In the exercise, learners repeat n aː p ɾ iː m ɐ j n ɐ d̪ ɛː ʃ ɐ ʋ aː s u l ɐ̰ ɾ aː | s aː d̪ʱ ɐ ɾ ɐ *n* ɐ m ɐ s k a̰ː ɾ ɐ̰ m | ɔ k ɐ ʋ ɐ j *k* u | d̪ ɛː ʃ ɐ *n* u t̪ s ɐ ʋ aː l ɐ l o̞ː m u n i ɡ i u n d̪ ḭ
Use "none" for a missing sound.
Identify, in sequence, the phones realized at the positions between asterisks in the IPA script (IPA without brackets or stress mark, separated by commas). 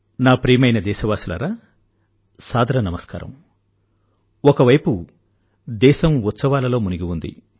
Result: n, p, m